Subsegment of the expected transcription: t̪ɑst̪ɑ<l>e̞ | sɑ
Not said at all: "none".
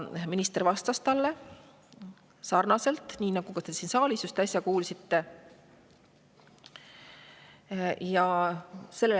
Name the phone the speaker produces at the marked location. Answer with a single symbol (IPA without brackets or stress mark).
lː